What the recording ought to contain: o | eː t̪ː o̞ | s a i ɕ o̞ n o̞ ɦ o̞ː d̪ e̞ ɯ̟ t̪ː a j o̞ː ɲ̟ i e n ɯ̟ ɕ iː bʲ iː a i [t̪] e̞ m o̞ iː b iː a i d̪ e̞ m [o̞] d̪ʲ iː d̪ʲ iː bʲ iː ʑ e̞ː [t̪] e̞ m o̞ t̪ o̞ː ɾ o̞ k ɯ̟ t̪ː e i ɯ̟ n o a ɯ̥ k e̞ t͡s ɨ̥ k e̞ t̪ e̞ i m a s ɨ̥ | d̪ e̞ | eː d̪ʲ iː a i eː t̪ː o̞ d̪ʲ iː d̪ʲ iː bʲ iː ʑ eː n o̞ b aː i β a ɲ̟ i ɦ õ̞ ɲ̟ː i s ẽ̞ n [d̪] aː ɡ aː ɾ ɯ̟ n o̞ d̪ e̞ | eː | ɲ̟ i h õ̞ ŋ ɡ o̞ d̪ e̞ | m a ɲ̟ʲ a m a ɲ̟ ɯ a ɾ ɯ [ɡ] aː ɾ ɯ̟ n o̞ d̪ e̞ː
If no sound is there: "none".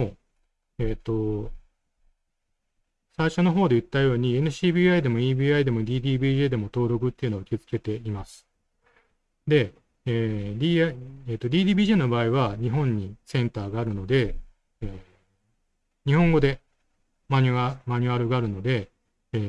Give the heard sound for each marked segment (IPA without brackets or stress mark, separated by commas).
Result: d̪, o̞, d̪, t̪, ɡ